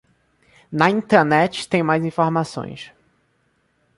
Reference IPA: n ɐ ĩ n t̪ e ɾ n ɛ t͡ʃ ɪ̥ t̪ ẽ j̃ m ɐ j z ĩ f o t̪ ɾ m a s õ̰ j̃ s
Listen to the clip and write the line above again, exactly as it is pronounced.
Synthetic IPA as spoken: n ɐ ĩ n t̪ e ɾ n ɛ t͡ʃ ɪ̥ t̪ ẽ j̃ m a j z ĩ f o ɾ m a s õ̰ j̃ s